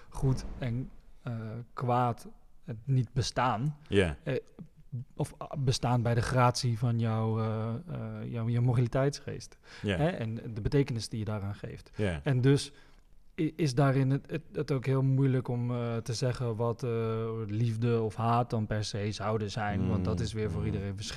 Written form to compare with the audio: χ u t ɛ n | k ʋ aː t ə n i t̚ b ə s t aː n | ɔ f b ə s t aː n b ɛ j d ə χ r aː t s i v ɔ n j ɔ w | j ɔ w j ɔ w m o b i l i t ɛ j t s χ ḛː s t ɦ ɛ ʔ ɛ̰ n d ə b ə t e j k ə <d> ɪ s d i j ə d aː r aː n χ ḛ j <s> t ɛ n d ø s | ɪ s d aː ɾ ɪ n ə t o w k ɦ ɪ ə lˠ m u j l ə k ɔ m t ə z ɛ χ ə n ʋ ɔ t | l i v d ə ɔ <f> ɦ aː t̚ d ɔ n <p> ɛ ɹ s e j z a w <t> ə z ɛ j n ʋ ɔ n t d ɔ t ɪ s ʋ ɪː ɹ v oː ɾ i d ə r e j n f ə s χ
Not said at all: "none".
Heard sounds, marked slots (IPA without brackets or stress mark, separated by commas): n, f, f, p, d